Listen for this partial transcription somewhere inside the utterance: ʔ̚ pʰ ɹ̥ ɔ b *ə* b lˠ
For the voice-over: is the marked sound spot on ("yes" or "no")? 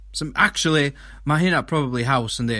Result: yes